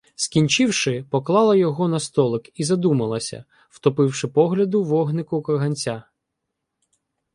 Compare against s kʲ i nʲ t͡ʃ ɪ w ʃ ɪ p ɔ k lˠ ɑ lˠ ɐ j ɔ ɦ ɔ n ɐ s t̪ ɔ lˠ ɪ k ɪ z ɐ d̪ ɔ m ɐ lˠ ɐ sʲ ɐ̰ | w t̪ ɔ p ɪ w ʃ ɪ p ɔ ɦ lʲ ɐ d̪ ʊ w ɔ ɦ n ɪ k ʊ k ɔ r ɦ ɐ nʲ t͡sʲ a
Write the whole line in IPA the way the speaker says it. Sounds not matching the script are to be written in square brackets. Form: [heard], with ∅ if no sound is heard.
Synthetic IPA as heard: s kʲ i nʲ t͡ʃ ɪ w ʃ ɪ p ɔ k lˠ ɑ lˠ ɐ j ɔ ɦ ɔ n ɐ s t̪ ɔ lˠ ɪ k [i] z ɐ d̪ [u] m ɐ lˠ ɐ sʲ ɐ̰ | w t̪ ɔ p ɪ w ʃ ɪ p ɔ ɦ lʲ ɐ d̪ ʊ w ɔ ɦ n ɪ k ʊ k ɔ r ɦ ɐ nʲ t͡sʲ a